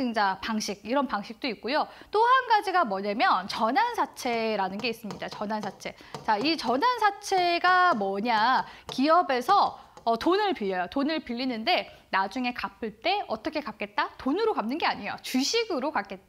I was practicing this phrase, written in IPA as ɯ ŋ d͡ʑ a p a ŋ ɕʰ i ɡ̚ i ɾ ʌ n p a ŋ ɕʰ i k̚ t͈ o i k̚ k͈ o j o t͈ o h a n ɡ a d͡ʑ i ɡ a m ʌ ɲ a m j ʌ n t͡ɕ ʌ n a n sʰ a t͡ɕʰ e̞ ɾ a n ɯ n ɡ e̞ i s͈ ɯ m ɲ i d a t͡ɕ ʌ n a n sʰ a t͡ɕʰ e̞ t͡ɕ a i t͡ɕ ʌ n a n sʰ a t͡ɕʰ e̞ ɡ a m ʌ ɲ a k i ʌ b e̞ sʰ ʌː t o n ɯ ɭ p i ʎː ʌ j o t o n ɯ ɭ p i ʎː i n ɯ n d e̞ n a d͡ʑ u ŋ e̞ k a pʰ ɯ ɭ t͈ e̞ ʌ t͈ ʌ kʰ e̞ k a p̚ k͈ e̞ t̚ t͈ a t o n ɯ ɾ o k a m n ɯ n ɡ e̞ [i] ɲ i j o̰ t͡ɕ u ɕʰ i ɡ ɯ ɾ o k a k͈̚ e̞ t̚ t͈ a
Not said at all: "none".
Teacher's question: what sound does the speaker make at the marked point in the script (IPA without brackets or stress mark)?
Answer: a